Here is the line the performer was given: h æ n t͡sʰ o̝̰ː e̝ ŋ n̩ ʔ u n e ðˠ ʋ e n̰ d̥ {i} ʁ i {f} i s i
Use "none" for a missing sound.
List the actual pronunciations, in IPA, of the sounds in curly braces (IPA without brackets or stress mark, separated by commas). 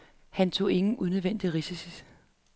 i, s